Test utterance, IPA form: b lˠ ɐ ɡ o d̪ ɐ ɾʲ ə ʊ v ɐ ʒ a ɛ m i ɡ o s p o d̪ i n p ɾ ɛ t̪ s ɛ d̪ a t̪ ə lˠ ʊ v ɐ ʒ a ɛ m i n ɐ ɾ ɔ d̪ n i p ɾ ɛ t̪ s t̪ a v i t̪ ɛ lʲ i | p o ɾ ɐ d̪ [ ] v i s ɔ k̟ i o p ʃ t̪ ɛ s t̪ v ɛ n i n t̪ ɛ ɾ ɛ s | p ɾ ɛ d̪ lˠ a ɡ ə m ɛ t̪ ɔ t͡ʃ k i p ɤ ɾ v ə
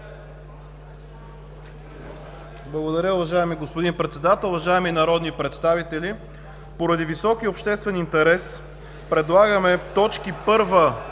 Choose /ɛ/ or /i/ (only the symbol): i